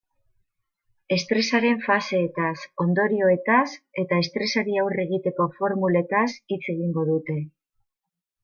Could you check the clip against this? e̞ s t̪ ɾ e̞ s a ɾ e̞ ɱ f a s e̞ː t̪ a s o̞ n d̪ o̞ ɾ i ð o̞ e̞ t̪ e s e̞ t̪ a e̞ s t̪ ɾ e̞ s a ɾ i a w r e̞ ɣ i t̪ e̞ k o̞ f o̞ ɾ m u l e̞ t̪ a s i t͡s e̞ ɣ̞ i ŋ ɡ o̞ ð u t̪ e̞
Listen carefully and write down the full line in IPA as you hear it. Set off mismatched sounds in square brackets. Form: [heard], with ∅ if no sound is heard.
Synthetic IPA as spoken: e̞ s t̪ ɾ e̞ s a ɾ e̞ ɱ f a s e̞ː t̪ a s o̞ n d̪ o̞ ɾ i [∅] o̞ e̞ t̪ [a] s e̞ t̪ a e̞ s t̪ ɾ e̞ s a ɾ i a w r e̞ ɣ i t̪ e̞ k o̞ f o̞ ɾ m u l e̞ t̪ a s i t͡s e̞ ɣ̞ i ŋ ɡ o̞ ð u t̪ e̞